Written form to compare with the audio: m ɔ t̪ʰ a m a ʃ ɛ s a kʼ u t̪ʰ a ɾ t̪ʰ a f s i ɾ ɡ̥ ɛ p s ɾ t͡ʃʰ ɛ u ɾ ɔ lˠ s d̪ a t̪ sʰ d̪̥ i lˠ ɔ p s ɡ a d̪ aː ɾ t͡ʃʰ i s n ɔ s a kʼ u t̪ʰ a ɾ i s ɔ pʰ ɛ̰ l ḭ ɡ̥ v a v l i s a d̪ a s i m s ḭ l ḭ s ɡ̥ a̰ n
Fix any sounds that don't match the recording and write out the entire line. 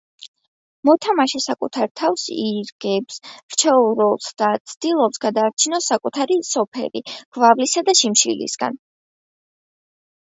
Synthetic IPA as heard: m ɔ t̪ʰ a m a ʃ ɛ s a kʼ u t̪ʰ a ɾ t̪ʰ a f s i ɾ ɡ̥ ɛ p s ɾ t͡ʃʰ ɛ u ɾ ɔ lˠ s d̪ a t̪ sʰ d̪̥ i lˠ ɔ p s ɡ a d̪ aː ɾ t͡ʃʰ i n ɔ s a kʼ u t̪ʰ a ɾ i s ɔ pʰ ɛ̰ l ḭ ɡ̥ v a v l i s a d̪ a ʃ i m ʃ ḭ l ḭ s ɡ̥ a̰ n